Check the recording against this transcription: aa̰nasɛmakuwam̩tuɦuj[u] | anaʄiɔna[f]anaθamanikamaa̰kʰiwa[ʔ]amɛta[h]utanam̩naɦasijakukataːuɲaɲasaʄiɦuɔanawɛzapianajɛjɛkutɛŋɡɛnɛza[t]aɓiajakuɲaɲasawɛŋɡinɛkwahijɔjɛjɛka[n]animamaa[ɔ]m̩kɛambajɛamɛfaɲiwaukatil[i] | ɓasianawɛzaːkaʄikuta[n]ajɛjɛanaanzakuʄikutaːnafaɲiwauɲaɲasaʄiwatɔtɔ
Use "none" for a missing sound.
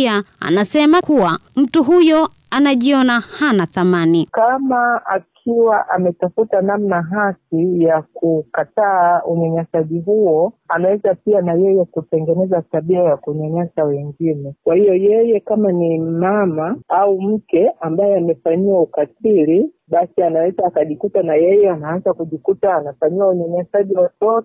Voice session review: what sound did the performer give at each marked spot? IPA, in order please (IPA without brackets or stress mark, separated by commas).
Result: ɔ, h, ʔ, f, t, m, u, i, n